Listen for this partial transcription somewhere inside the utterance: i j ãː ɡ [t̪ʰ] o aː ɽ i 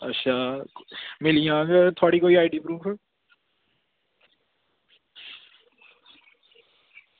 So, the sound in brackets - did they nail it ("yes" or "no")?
yes